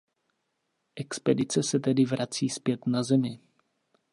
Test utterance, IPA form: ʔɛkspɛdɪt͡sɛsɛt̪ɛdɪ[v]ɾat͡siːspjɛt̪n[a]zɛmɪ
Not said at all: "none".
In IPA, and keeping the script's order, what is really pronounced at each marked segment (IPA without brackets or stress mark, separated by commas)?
v, a